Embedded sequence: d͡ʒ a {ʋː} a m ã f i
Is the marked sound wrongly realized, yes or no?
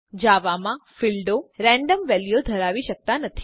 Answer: yes